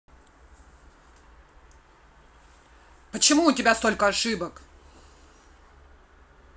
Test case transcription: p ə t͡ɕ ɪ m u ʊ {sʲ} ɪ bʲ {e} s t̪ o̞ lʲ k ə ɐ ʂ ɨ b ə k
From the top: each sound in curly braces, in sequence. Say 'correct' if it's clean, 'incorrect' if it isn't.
incorrect: tʲ, incorrect: a

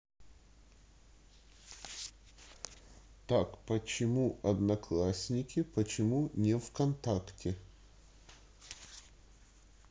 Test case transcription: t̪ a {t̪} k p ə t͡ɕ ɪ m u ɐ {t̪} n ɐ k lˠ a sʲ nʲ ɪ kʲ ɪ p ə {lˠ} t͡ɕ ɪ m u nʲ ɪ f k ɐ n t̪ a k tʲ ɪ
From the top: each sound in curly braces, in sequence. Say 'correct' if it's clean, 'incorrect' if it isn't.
incorrect: none, incorrect: d̪, incorrect: none

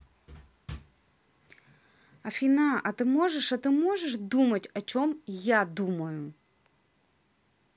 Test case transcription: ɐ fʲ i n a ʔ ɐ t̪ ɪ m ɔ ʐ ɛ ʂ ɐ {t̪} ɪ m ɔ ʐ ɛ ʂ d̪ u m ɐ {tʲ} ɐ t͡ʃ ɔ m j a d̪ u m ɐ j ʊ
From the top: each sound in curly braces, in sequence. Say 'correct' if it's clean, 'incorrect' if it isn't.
correct, correct

